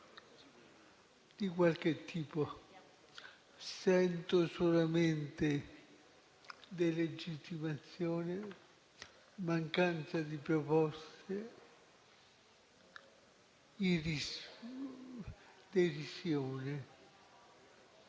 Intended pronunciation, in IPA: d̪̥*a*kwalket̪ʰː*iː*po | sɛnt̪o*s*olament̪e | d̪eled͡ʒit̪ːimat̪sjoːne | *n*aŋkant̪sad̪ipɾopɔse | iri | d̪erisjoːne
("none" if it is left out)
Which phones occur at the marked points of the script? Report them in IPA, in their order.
i, iː, s, m

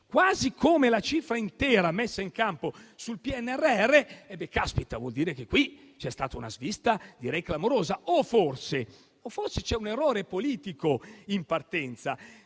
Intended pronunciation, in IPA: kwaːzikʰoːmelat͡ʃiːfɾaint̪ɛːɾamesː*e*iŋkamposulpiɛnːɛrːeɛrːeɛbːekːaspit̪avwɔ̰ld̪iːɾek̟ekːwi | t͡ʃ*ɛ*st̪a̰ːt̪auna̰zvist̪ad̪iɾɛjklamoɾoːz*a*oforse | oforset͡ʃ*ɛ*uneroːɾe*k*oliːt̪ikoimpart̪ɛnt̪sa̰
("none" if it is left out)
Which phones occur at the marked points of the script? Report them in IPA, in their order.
a, ɛ, a, ɛ, p

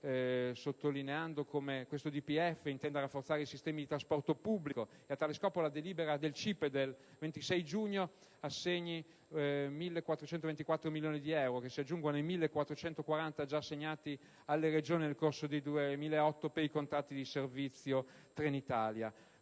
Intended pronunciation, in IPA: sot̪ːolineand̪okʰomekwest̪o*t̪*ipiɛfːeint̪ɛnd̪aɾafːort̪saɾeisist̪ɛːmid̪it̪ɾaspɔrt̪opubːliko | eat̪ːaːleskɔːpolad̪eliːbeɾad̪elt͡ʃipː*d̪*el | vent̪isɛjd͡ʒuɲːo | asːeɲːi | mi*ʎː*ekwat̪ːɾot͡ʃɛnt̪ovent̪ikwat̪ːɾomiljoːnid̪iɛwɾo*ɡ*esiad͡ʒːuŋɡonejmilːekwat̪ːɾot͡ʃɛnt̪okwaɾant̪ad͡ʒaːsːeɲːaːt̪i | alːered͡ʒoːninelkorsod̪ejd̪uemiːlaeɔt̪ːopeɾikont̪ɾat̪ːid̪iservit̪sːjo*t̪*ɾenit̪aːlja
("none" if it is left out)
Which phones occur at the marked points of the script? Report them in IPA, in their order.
d̪, d̪, lː, k, t̪

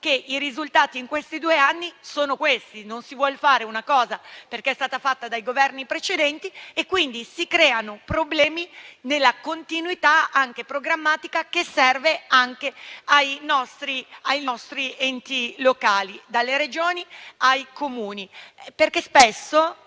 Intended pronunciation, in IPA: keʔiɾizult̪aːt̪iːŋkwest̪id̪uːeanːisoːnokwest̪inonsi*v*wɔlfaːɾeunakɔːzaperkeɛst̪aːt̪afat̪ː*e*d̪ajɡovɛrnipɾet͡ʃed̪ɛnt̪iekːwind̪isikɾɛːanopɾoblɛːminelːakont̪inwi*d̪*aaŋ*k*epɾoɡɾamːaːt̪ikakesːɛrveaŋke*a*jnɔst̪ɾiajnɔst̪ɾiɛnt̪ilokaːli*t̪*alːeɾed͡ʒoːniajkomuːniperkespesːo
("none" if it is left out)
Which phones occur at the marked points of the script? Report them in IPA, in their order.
v, a, t̪, k, a, d̪

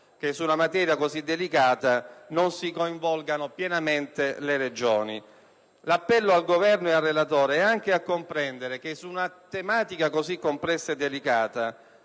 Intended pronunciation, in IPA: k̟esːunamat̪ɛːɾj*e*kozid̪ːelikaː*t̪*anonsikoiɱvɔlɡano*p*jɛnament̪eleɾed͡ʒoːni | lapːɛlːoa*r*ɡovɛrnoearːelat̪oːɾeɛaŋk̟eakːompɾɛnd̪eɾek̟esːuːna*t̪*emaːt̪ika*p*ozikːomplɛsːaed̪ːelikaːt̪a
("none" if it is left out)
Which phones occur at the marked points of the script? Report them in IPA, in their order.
a, t̪, p, l, t̪, k

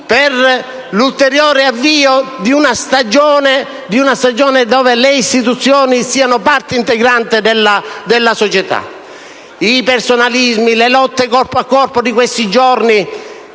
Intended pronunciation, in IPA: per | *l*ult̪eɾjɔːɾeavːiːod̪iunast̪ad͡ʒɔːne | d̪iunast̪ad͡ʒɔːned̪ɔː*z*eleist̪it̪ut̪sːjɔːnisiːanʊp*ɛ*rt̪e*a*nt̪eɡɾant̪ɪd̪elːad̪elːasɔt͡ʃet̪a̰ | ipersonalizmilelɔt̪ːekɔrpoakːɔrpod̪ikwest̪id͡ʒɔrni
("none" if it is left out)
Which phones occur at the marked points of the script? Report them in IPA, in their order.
l, v, a, i

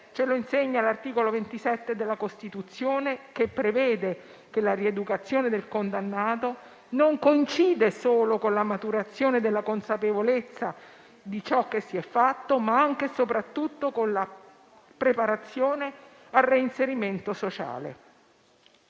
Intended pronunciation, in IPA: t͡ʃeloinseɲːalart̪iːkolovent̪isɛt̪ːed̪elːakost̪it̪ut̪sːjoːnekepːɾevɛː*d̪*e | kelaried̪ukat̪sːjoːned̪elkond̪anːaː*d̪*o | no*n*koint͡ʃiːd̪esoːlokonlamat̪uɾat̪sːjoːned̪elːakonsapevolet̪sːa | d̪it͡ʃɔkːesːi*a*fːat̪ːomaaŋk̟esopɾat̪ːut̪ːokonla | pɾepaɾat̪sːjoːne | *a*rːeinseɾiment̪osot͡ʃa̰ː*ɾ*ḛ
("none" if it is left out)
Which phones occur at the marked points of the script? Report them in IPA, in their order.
d̪, t̪, ŋ, ɛ, a, l

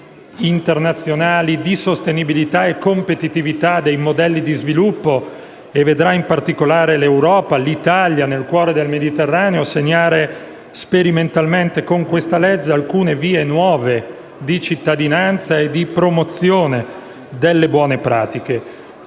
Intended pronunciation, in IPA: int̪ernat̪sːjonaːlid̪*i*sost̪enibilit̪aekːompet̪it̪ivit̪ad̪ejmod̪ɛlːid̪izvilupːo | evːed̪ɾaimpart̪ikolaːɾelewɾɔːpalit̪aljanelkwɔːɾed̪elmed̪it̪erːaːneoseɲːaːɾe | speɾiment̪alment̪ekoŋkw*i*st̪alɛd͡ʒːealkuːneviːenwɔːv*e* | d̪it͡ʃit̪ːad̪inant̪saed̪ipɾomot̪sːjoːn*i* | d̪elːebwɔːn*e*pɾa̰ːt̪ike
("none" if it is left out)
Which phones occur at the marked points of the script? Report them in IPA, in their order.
i, e, e, e, e

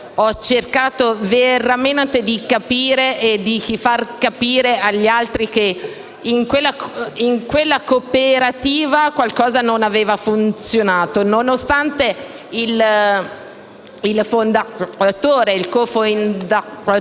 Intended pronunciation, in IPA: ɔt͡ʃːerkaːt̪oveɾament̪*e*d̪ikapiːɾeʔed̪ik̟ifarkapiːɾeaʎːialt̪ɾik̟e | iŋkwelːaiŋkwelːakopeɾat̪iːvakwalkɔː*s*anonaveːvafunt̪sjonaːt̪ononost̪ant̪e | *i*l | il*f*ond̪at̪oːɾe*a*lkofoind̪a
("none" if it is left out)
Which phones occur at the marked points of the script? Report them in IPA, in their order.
e, z, i, f, i

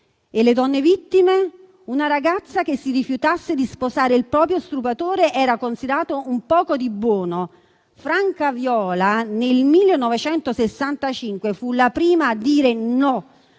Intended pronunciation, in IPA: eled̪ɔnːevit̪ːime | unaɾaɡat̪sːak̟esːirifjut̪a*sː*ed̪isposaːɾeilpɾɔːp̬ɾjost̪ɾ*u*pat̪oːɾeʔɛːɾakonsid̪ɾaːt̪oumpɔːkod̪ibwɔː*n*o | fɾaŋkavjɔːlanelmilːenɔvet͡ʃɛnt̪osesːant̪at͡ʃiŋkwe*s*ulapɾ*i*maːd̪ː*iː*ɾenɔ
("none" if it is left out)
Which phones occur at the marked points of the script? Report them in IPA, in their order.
sː, u, n, f, iː, iː

